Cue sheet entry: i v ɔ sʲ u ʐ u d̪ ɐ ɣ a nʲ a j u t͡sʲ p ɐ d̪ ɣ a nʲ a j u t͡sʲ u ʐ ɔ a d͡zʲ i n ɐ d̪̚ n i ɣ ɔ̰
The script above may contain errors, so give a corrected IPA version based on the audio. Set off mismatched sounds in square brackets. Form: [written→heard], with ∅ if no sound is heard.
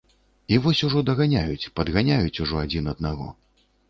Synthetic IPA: i v ɔ sʲ u ʐ [u→ɔ] d̪ ɐ ɣ a nʲ a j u t͡sʲ p ɐ d̪ ɣ a nʲ a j u t͡sʲ u ʐ ɔ a d͡zʲ i n ɐ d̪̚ n [i→a] ɣ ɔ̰